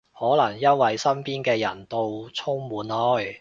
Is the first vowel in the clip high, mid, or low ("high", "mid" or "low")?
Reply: mid